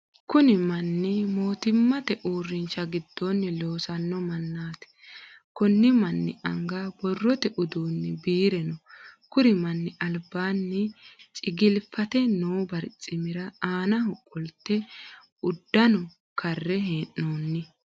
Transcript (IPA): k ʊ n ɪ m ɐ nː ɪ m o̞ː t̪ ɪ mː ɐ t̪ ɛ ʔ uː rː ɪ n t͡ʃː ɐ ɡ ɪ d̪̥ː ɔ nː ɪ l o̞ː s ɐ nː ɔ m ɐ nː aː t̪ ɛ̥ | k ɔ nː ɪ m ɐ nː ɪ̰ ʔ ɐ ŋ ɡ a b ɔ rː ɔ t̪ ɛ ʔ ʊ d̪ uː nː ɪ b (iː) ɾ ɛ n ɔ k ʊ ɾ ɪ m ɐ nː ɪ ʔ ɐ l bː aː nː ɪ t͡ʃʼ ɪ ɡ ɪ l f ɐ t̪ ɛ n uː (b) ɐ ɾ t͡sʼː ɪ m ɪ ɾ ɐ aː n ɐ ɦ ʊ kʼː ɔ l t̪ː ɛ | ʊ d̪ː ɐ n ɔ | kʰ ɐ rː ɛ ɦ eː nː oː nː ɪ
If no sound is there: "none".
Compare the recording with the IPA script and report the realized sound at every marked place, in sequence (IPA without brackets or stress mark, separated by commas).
iː, b